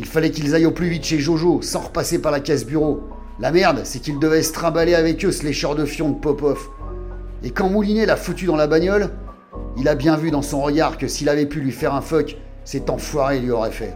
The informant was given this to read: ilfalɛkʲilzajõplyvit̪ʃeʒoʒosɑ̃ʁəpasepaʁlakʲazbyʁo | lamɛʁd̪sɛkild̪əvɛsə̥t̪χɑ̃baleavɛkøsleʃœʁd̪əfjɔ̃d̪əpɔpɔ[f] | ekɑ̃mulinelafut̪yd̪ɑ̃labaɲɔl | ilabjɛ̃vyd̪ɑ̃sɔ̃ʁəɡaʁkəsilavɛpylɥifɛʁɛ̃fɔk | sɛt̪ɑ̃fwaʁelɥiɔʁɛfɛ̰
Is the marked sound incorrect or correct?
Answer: correct